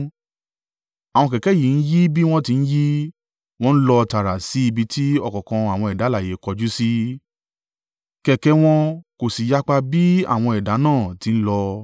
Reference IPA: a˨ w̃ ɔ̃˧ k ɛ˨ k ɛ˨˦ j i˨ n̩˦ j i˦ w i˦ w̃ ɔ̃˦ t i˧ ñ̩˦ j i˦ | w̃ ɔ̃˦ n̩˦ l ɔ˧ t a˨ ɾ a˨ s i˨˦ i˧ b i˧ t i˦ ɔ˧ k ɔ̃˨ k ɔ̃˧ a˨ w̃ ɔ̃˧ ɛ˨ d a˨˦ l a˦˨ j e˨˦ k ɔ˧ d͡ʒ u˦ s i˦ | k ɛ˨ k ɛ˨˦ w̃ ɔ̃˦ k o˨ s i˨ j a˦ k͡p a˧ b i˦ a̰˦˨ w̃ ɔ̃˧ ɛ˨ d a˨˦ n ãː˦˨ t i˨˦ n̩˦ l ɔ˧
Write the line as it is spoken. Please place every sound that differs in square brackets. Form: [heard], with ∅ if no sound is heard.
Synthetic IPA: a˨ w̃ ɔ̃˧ k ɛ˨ k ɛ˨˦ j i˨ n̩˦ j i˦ [b] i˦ w̃ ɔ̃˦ t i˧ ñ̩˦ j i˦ | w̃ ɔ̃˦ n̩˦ l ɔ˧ t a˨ ɾ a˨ s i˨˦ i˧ b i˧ t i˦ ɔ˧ k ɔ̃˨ k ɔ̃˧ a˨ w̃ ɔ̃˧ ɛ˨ d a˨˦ l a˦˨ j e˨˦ k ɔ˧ d͡ʒ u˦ s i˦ | k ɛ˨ k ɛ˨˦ w̃ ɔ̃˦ k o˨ s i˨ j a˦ k͡p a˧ b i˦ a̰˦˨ w̃ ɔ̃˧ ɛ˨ d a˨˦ n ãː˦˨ t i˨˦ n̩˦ l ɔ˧